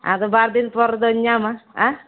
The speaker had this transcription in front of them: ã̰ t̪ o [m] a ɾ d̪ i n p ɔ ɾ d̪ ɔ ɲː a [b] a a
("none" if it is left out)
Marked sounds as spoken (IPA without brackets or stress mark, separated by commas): b, m